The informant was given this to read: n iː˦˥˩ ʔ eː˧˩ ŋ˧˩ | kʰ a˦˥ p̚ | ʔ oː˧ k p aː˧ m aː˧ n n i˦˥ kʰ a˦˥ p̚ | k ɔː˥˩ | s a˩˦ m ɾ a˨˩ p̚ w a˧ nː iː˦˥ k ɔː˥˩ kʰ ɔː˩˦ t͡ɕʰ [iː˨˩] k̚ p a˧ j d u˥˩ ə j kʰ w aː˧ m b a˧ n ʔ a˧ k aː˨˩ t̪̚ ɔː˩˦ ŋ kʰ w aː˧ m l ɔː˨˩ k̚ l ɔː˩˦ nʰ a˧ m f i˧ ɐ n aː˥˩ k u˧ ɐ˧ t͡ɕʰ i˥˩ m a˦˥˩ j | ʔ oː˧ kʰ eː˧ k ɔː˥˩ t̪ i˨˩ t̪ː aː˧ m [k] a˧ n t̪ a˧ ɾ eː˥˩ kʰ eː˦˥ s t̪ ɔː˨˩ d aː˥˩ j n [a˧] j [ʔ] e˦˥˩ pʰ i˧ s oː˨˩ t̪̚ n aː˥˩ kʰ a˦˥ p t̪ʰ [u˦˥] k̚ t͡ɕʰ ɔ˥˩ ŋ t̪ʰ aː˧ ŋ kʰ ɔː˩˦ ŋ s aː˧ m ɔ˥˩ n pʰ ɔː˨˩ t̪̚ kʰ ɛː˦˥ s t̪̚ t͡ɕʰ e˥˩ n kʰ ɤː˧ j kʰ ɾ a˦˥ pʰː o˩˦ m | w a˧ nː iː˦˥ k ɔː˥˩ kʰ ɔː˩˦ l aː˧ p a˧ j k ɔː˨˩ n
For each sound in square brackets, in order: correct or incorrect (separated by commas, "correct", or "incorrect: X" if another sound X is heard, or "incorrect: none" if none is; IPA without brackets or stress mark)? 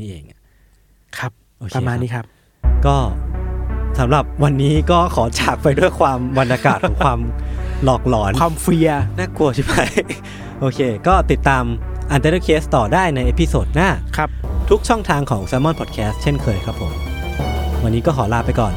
incorrect: aː˨˩, incorrect: ʔ, correct, correct, correct